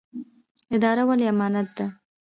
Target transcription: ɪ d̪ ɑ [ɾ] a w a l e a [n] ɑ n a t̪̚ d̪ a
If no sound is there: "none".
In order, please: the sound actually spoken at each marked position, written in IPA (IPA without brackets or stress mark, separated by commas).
ɾ, m